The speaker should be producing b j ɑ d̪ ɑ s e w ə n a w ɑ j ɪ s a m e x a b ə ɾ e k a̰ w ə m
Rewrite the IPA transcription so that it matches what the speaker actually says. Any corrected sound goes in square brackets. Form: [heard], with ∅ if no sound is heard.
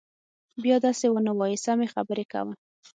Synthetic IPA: b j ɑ d̪ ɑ s e w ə n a w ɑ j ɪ s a m e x a b ə ɾ e k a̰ w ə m